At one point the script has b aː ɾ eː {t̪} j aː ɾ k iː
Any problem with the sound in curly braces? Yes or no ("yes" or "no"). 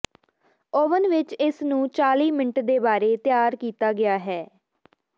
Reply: no